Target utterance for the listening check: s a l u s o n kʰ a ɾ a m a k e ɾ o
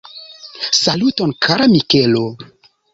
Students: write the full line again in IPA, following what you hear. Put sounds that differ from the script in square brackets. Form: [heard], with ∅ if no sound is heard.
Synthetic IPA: s a l u [t] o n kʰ a ɾ a m [i] k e [l] o

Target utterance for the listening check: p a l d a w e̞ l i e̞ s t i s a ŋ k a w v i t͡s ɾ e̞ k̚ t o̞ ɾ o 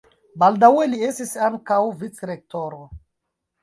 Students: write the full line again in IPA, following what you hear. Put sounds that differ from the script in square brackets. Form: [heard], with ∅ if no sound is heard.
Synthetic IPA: [b] a l d a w e̞ l i e̞ s t i s a ŋ k a w v i t͡s ɾ e̞ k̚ t o̞ ɾ o

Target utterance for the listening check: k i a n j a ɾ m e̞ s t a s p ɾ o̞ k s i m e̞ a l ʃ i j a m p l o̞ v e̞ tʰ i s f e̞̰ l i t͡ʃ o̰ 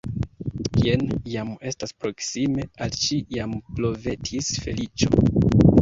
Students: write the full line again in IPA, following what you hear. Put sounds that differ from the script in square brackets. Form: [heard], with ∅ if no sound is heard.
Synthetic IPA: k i [e] n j a [∅] m e̞ s t a s p ɾ o̞ k s i m e̞ a l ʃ i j a m p l o̞ v e̞ tʰ i s f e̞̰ l i t͡ʃ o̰

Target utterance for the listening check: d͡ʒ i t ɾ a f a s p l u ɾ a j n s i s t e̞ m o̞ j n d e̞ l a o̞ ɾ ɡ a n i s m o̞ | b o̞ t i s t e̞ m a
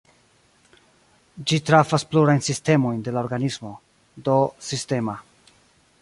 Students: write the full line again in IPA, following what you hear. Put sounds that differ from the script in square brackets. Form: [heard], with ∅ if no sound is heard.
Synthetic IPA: d͡ʒ i t ɾ a f a s p l u ɾ a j n s i s t e̞ m o̞ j n d e̞ l a o̞ ɾ ɡ a n i s m o̞ | [d] o̞ [s] i s t e̞ m a

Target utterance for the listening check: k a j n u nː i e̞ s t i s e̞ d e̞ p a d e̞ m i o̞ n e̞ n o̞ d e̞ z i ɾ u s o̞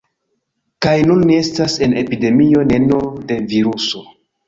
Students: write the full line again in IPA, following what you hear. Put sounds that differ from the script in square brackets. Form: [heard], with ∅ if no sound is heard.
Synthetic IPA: k a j n u nː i e̞ s t [a] s e̞ [n] e̞ p [i] d e̞ m i o̞ n e̞ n o̞ d e̞ [v] i ɾ u s o̞

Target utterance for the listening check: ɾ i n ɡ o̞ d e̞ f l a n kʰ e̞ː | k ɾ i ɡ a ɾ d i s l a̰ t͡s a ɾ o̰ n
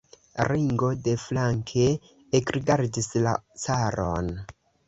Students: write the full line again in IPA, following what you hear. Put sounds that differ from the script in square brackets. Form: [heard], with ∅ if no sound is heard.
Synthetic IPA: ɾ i [ŋ] ɡ o̞ d e̞ f l a [ŋ] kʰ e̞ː | k ɾ i ɡ a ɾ d i s l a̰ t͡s a ɾ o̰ n

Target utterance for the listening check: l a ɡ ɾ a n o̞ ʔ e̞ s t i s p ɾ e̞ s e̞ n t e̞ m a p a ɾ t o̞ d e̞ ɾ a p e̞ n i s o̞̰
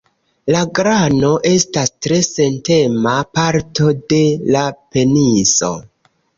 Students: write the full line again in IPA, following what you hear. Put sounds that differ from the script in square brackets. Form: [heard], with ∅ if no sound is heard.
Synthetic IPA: l a ɡ ɾ a n o̞ ʔ e̞ s t [a] s [t] ɾ e̞ s e̞ n t e̞ m a p a ɾ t o̞ d e̞ [l] a p e̞ n i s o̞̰

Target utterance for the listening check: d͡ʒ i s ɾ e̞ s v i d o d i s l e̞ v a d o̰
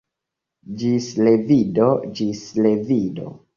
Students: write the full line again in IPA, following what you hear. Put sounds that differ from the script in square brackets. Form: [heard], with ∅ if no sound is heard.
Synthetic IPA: d͡ʒ i s [l] e̞ [∅] v i d o [d͡ʒ] i s l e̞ v [i] d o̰

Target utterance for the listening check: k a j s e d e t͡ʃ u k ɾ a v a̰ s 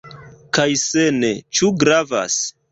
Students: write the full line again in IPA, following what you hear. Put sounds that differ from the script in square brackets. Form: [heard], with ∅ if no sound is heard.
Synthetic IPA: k a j s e [n] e t͡ʃ u [ɡ] ɾ a v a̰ s

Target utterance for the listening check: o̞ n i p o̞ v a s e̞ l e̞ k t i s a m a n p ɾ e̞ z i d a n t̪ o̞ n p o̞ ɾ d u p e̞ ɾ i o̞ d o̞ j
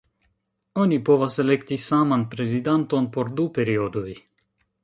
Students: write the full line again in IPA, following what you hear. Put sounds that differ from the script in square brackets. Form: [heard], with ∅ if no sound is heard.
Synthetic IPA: o̞ n i p o̞ v a s e̞ l e̞ k t i s a m a n p ɾ e̞ z i d a n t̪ o̞ n p o̞ ɾ d u p e̞ ɾ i o̞ d o̞ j

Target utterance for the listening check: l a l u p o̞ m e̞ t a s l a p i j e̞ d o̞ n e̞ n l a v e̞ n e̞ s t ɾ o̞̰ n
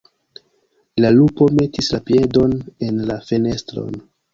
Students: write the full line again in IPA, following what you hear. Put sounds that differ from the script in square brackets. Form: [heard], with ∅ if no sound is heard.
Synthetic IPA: l a l u p o̞ m e̞ t [i] s l a p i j e̞ d o̞ n e̞ n l a [f] e̞ n e̞ s t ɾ o̞̰ n

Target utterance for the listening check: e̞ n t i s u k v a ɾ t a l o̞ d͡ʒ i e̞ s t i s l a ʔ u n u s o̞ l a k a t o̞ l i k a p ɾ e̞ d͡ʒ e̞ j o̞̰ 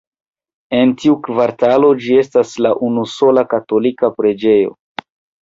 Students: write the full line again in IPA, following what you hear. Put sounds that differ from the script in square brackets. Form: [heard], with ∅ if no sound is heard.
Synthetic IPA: e̞ n t i [∅] u k v a ɾ t a l o̞ d͡ʒ i e̞ s t [a] s l a ʔ u n u s o̞ l a k a t o̞ l i k a p ɾ e̞ d͡ʒ e̞ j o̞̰

